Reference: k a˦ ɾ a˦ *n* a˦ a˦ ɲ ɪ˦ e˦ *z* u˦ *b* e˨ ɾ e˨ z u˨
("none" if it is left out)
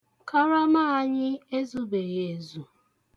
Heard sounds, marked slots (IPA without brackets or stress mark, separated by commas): m, z, b